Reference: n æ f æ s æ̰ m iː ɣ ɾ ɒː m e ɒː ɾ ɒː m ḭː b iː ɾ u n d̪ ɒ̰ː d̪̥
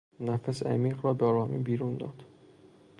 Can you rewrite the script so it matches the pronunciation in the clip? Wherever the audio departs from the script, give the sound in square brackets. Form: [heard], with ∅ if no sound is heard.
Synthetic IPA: n æ f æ s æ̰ m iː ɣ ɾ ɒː [b] e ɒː ɾ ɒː m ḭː b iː ɾ u n d̪ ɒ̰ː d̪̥